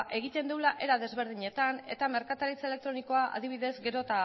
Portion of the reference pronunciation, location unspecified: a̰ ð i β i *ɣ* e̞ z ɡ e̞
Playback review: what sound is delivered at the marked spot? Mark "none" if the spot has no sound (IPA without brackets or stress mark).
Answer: ð